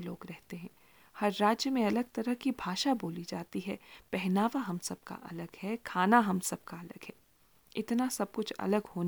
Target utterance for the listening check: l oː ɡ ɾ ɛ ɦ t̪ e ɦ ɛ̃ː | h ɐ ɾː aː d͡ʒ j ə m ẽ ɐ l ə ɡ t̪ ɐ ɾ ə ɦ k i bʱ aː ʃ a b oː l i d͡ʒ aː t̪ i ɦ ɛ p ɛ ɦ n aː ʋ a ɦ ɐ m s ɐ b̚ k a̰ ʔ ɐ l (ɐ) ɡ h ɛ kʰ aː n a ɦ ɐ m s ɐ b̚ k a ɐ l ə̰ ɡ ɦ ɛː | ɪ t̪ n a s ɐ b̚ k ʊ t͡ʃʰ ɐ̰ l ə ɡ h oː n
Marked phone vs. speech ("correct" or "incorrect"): incorrect